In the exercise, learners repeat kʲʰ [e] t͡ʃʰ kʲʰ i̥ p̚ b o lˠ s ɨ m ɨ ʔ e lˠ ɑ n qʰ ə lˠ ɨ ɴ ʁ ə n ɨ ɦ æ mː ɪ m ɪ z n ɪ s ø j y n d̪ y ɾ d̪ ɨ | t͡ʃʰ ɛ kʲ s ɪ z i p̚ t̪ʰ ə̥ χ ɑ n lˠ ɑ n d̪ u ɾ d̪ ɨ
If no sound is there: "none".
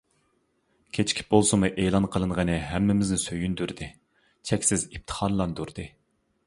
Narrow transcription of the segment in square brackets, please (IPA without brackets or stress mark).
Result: e